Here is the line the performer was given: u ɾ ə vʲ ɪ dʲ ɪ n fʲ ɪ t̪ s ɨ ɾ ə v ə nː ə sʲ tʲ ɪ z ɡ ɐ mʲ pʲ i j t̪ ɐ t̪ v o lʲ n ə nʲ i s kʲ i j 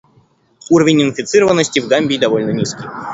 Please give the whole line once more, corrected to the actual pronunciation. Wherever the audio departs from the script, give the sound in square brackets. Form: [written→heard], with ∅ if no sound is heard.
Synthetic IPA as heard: u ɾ ə vʲ ɪ [dʲ→nʲ] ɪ n fʲ ɪ t̪ s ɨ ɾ ə v ə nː ə sʲ tʲ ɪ [z→v] ɡ [ɐ→a] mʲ [pʲ→bʲ] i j [t̪→d̪] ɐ [t̪→∅] v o lʲ n ə nʲ i s kʲ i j